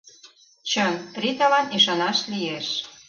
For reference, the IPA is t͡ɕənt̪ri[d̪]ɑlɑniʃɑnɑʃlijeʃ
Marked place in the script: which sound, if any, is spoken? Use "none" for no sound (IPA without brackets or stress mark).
t̪